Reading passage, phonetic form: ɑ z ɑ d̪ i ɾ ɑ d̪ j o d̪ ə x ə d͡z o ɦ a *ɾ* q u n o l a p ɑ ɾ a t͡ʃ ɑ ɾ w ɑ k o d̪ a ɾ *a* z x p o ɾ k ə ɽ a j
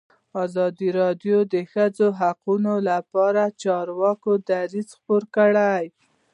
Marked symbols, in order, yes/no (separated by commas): no, no